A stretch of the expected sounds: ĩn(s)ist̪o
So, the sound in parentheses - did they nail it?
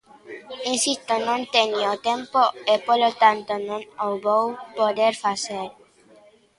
yes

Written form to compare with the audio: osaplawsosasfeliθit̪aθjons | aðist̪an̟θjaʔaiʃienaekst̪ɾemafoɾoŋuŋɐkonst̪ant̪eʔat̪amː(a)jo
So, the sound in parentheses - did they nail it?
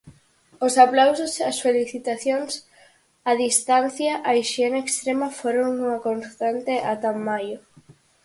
yes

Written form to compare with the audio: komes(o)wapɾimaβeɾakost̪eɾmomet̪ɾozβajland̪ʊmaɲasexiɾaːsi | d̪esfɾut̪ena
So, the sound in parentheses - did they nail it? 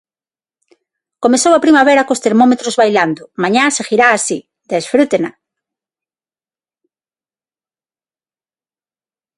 yes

